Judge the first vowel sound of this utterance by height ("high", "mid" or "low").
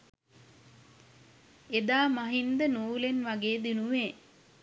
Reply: mid